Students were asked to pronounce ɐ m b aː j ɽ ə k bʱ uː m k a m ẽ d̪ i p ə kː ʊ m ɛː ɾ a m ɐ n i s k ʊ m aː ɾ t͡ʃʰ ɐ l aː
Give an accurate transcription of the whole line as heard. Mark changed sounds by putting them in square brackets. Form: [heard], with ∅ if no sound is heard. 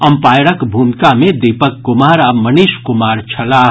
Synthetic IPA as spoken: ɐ m [p] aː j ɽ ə k bʱ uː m k a m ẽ d̪ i p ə kː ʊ m [aː] ɾ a m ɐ n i [ʃ] k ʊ m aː ɾ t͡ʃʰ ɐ l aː